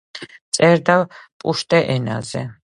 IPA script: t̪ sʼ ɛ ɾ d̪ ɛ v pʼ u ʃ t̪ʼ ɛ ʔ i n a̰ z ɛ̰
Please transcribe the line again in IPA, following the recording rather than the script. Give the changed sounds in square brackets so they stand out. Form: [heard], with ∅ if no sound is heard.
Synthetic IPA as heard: t̪ sʼ ɛ ɾ d̪ [a] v pʼ u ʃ t̪ʼ ɛ ʔ [ɛ] n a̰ z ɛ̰